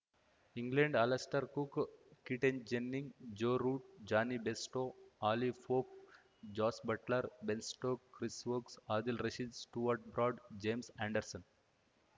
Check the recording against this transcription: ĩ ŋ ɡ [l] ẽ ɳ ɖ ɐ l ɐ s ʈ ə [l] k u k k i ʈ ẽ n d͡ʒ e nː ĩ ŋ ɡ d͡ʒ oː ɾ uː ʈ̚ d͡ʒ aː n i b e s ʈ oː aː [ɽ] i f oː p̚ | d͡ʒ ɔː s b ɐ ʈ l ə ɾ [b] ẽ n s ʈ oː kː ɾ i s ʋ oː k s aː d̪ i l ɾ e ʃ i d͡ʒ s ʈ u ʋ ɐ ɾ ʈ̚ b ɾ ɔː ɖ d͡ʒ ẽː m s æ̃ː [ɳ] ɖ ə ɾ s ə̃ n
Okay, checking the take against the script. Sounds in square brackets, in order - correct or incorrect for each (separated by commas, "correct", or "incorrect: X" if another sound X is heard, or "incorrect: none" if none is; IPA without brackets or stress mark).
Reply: correct, incorrect: ɾ, incorrect: l, correct, correct